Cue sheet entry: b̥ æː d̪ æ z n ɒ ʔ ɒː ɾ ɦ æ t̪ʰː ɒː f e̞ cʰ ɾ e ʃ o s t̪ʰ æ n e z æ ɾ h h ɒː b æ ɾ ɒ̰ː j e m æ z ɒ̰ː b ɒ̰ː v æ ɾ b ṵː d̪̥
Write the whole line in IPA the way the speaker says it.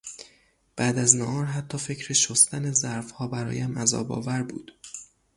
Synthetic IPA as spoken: b̥ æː d̪ æ z n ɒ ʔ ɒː ɾ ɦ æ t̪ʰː ɒː f e̞ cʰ ɾ e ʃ o s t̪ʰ æ n e z æ ɾ f h ɒː b æ ɾ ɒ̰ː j æ m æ z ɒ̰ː b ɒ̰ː v æ ɾ b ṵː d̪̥